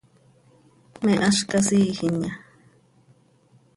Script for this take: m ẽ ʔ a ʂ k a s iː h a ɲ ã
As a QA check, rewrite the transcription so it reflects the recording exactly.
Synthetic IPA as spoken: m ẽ ʔ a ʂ k a s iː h i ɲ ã

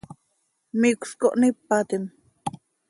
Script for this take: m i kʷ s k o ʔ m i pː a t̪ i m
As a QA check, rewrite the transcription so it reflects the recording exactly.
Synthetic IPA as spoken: m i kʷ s k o ʔ n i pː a t̪ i m

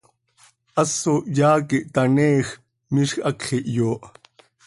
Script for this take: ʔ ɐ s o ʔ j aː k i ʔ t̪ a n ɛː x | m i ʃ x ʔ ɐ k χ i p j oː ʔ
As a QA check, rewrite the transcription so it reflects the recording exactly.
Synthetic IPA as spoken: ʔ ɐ s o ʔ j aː k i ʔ t̪ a n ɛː x | m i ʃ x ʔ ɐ k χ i ʔ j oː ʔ

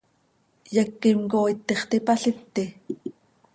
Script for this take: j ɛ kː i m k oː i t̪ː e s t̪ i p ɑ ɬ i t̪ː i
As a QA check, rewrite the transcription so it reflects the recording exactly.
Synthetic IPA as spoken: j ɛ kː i m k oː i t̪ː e χ t̪ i p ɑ ɬ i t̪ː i

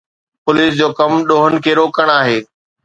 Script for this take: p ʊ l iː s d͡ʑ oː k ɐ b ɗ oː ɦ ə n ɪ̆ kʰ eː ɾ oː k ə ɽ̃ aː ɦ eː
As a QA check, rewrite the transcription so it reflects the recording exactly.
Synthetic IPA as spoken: p ʊ l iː s d͡ʑ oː k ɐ m ɗ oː ɦ ə n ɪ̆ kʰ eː ɾ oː k ə ɽ̃ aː ɦ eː

